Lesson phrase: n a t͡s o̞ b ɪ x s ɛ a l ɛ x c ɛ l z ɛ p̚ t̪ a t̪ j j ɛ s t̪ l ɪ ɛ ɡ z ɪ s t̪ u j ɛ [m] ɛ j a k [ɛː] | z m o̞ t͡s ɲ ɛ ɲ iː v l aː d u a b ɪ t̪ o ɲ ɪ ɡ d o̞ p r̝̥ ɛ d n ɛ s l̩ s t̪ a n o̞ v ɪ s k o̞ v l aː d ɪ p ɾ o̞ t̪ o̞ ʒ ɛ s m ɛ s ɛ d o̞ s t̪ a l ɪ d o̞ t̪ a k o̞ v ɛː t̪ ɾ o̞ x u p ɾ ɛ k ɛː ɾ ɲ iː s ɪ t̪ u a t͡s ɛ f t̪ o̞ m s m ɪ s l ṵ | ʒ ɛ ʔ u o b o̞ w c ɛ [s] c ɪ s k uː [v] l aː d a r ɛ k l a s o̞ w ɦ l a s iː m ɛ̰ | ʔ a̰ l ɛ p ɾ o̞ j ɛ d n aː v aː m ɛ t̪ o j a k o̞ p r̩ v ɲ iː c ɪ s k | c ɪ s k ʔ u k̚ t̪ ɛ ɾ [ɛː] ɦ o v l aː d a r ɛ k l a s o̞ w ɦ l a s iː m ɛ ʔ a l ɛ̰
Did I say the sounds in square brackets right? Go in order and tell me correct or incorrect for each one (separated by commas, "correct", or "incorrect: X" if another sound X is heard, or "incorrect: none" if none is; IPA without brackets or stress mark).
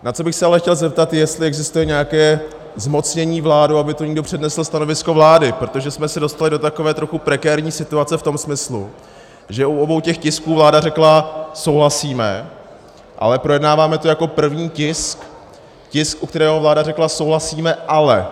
incorrect: ɲ, correct, incorrect: x, correct, correct